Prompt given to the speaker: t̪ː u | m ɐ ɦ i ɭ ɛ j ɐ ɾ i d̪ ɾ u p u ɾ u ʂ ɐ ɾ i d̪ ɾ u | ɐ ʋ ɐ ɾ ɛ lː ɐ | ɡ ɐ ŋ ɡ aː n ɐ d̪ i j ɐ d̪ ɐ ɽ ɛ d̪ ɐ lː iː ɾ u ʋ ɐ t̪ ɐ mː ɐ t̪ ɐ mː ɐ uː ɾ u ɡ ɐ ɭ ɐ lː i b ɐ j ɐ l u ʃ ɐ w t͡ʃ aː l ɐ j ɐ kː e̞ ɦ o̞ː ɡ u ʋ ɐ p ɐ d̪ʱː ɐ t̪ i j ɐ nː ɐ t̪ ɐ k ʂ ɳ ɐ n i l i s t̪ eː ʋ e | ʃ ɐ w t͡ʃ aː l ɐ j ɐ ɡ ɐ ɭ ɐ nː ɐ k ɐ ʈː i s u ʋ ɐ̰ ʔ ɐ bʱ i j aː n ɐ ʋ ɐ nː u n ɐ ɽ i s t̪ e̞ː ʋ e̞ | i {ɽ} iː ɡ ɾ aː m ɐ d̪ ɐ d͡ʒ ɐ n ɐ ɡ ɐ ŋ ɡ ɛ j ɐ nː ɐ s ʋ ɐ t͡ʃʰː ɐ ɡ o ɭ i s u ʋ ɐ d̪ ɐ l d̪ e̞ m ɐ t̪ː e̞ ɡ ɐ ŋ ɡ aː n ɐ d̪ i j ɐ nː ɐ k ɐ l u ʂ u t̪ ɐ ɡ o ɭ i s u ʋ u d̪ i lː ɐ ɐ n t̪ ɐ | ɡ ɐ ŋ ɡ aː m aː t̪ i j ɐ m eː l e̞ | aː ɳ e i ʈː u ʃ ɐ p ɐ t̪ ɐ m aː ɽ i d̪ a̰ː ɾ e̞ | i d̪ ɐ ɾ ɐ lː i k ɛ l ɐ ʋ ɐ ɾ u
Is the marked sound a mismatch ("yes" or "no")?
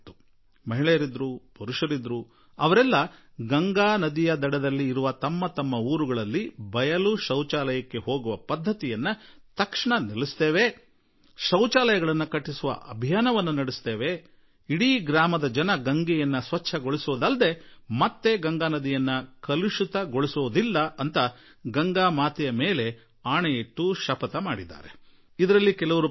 no